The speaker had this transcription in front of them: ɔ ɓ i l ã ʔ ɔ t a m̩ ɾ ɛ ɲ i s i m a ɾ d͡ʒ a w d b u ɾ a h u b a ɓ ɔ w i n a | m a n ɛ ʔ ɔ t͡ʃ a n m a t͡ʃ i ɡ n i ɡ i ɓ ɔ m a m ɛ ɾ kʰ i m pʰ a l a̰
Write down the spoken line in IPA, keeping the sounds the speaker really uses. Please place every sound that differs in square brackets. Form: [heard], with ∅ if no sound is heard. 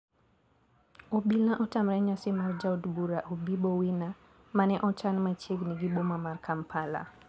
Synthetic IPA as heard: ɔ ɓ i l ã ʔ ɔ t a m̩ ɾ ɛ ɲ [a] s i m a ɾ d͡ʒ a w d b u ɾ a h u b [i] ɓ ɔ w i n a | m a n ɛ ʔ ɔ t͡ʃ a n m a t͡ʃ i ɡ n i ɡ i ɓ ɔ m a m [a] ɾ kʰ [a] m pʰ a l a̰